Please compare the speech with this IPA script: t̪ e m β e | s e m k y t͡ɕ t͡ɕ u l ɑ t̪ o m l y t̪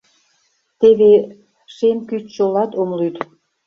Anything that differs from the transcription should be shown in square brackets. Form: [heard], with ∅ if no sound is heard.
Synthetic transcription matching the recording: t̪ e [∅] β e | [ʃ] e m k y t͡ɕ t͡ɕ [o] l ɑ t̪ o m l y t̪